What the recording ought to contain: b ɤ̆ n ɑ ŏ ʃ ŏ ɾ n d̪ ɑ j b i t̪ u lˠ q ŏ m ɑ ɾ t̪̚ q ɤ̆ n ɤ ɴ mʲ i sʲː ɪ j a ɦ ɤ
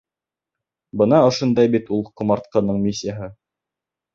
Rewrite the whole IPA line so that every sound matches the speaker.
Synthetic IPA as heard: b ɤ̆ n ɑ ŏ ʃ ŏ n d̪ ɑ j b i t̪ u lˠ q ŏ m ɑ ɾ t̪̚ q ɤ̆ n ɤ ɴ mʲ i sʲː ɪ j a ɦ ɤ